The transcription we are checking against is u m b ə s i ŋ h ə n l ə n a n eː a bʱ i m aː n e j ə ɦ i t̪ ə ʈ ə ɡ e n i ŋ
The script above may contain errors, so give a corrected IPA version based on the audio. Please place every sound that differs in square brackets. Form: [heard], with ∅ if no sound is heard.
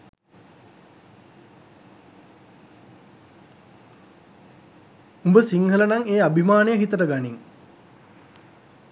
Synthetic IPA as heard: u m b ə s i ŋ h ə [∅] l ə n a [ŋ] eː a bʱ i m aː n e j ə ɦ i t̪ ə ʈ ə ɡ [a] n i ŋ